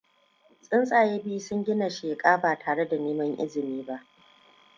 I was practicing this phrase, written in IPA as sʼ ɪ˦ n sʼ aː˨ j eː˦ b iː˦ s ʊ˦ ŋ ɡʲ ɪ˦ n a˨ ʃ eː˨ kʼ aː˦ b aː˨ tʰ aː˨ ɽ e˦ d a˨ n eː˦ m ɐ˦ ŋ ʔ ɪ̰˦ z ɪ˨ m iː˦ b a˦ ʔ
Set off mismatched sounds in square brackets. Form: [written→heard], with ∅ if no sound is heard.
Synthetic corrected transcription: sʼ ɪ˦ n sʼ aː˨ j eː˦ b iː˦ s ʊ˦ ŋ ɡʲ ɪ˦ n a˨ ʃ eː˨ kʼ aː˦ b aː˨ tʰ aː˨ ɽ e˦ d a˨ n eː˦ m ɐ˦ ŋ ʔ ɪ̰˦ z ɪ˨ m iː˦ b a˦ ʔ